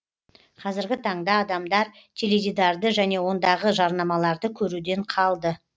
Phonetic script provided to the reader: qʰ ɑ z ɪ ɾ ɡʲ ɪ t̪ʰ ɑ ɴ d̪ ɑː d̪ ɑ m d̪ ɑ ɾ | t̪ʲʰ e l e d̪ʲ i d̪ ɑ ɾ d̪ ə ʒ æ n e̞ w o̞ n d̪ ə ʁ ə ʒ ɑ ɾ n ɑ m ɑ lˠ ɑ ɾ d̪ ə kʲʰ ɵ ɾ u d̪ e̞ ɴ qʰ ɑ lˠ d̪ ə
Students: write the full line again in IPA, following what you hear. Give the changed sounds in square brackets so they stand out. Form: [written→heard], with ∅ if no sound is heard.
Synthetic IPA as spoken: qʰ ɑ z ɪ ɾ ɡʲ ɪ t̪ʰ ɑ ɴ d̪ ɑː d̪ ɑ m d̪ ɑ ɾ | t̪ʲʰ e l e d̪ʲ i d̪ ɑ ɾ d̪ ə ʒ æ n e̞ w o̞ n d̪ [ə→ɑ] ʁ ə ʒ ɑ ɾ n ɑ m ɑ lˠ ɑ ɾ d̪ ə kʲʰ ɵ ɾ u d̪ e̞ ɴ qʰ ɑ lˠ d̪ ə